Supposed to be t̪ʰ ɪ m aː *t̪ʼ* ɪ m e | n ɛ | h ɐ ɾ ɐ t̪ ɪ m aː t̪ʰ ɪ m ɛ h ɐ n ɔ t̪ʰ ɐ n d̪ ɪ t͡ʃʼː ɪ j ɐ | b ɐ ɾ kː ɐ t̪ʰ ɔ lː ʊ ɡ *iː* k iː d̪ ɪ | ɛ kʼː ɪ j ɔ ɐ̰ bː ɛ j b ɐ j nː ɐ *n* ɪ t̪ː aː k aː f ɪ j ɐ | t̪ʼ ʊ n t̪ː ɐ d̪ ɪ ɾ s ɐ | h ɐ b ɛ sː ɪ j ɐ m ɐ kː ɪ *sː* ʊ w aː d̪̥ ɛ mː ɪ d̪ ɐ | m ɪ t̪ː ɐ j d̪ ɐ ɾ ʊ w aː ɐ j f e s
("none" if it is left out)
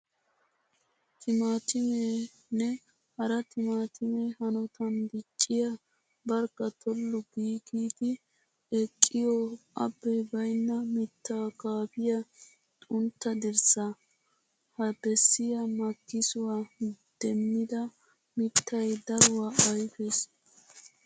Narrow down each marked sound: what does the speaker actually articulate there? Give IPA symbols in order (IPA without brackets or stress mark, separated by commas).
t̪, iː, m, s